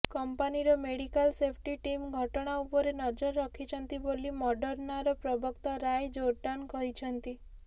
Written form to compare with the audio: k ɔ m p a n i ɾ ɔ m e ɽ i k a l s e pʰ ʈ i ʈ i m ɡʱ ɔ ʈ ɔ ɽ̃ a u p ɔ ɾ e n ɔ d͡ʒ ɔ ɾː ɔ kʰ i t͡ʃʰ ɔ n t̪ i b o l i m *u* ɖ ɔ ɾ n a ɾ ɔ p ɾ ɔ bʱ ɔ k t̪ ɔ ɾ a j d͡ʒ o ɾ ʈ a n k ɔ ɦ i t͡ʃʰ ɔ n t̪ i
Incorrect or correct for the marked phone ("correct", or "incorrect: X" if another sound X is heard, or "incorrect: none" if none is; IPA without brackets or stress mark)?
incorrect: ɔ